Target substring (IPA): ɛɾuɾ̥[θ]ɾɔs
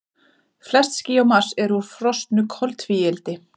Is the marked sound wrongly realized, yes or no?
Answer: yes